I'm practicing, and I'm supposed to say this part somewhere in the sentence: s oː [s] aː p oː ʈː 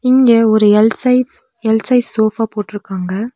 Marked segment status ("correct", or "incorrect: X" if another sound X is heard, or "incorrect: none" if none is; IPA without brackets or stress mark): incorrect: f